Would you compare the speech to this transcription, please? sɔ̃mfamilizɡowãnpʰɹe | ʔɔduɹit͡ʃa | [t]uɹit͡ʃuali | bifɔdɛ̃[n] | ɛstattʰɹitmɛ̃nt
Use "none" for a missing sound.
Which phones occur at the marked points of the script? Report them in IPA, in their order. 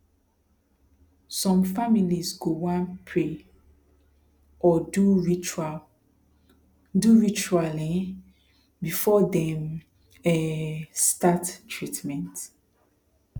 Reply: d, m

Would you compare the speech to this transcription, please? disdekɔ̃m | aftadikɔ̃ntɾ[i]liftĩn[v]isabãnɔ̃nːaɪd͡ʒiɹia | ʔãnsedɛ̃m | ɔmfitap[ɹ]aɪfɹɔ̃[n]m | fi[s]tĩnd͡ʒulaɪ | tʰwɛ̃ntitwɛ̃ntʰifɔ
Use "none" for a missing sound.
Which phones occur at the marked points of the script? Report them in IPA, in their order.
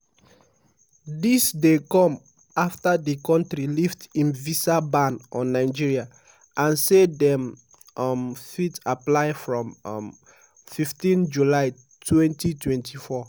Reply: i, v, l, m, f

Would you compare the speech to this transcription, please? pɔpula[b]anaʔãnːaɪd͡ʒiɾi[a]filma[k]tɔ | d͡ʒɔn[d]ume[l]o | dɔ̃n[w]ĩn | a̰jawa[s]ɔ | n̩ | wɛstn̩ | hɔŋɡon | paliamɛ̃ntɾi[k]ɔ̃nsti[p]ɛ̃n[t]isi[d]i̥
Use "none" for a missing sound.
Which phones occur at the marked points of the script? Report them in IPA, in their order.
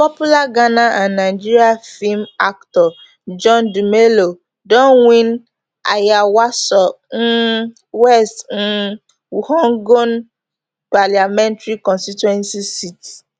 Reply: ɡ, a, k, d, l, w, s, k, t, s, t

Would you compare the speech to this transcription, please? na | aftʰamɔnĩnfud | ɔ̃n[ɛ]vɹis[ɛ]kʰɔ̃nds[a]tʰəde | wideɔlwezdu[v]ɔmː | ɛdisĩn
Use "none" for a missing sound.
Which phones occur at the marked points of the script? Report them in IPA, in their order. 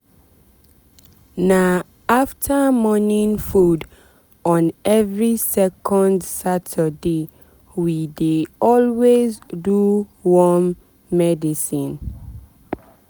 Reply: ɛ, ɛ, a, w

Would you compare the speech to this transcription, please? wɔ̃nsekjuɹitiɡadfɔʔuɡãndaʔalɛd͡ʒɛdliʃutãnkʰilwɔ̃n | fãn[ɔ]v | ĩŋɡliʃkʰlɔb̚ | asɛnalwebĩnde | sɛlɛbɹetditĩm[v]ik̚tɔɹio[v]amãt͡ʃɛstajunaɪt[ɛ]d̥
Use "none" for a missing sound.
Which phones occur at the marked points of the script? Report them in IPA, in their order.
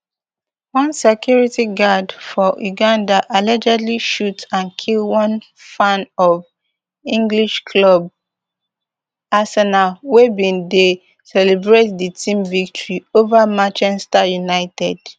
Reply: ɔ, v, v, ɛ

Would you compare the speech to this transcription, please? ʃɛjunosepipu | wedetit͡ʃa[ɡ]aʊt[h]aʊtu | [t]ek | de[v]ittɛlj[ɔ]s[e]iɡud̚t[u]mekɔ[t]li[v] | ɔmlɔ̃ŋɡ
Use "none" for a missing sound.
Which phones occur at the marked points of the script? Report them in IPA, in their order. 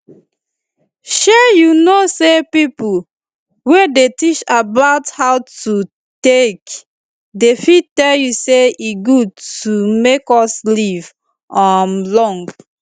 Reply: b, h, t, f, u, e, u, s, v

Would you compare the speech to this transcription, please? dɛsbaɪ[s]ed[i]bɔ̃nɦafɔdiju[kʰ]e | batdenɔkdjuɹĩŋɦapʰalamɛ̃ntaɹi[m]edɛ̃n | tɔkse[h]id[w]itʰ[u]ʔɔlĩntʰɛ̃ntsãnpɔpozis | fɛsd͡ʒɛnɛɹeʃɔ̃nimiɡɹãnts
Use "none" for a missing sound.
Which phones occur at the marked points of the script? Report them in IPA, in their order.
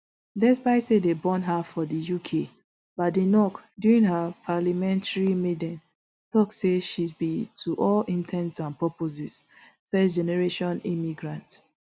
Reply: s, e, kʰ, m, ʃ, b, u

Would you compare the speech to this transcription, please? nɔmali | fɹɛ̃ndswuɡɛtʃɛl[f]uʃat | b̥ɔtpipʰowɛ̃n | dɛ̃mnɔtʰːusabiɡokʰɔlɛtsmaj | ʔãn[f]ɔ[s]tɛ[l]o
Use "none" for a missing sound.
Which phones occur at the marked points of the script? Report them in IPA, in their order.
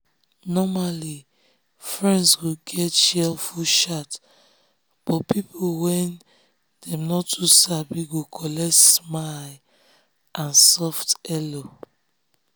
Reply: f, s, f, l

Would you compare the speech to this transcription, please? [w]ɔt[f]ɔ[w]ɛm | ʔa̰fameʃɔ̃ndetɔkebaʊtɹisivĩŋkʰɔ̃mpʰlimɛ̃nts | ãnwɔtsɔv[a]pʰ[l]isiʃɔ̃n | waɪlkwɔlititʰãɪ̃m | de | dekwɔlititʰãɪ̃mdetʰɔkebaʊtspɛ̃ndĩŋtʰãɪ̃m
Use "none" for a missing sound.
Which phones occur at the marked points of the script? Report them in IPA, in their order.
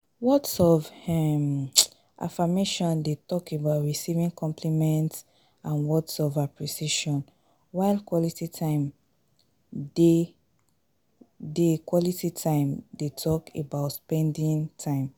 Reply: w, s, v, a, ɹ

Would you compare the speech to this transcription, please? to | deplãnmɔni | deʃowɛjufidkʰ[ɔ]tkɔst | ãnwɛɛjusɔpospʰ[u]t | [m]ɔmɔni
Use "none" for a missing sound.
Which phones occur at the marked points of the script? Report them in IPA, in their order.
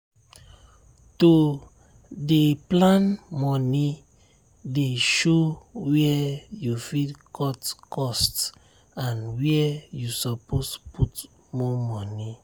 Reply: ɔ, u, m

